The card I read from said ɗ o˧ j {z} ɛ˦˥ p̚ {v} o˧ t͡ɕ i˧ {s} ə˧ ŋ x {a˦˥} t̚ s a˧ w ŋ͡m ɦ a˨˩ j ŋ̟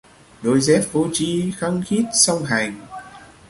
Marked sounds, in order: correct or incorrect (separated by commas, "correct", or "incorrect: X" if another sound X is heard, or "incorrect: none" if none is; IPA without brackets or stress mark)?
correct, correct, incorrect: x, incorrect: i˦˥